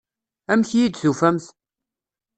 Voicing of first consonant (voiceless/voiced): voiced